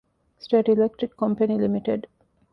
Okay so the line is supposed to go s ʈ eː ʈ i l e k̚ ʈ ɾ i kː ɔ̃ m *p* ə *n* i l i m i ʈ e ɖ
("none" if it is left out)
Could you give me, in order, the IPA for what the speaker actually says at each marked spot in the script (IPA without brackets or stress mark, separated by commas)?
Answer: p, n